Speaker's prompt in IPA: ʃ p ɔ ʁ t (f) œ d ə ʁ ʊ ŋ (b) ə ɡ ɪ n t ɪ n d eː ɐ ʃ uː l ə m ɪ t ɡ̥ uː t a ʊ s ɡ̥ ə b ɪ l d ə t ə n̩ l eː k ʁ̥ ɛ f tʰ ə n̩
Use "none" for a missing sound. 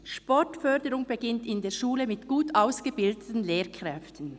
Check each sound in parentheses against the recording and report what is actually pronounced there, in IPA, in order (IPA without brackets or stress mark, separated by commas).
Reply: f, b